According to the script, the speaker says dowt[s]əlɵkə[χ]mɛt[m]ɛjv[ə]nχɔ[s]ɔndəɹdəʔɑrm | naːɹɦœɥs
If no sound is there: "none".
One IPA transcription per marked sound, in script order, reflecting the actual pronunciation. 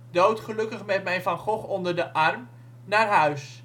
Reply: χ, χ, m, ɑ, χ

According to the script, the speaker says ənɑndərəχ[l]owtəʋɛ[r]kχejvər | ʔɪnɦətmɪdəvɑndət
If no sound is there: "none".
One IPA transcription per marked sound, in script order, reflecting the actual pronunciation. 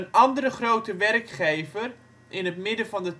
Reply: r, r

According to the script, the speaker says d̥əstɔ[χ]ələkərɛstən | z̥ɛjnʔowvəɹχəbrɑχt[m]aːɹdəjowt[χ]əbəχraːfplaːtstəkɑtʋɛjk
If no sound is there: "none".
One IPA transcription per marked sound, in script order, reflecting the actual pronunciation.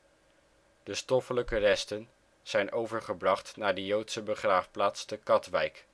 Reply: f, n, s

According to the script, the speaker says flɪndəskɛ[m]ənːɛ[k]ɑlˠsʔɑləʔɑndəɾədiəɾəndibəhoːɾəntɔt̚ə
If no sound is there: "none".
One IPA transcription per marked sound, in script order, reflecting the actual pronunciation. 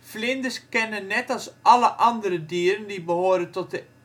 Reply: n, t

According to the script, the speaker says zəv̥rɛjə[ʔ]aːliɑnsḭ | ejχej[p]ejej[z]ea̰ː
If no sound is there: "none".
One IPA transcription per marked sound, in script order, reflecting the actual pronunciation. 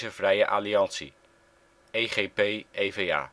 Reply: ʔ, p, v

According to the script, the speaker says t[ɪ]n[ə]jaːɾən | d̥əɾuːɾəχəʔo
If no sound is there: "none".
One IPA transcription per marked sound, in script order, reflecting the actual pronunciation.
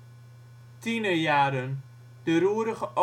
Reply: i, ə

